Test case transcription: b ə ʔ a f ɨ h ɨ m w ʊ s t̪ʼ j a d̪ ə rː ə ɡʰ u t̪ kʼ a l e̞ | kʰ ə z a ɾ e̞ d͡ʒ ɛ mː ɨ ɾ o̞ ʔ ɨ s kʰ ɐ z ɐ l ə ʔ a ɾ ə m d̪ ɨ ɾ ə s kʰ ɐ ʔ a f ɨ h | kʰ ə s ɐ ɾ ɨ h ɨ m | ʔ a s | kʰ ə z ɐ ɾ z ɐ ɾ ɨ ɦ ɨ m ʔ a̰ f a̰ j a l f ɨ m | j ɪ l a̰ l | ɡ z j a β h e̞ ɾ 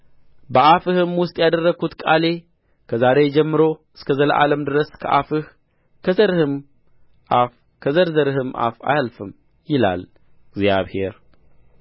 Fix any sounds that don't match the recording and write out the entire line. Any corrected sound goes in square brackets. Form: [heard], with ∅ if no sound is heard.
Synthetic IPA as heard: b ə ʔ a f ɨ h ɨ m w ʊ s t̪ʼ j a d̪ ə rː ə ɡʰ u t̪ kʼ a l e̞ | kʰ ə z a ɾ e̞ d͡ʒ ɛ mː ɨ ɾ o̞ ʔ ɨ s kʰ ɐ z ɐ l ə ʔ a [l] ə m d̪ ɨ ɾ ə s kʰ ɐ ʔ a f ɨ h | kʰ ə [z] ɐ ɾ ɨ h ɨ m | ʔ a [f] | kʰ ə z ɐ ɾ z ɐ ɾ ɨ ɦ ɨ m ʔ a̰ f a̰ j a l f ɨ m | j ɪ l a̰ l | ɡ z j a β h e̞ ɾ